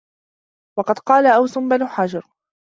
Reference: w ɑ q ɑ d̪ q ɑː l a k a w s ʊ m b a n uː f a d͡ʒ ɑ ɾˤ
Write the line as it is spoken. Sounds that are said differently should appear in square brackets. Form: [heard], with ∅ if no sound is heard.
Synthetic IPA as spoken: w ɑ q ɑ d̪ q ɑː l a [ʔ] a w s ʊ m b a n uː [ħ] a d͡ʒ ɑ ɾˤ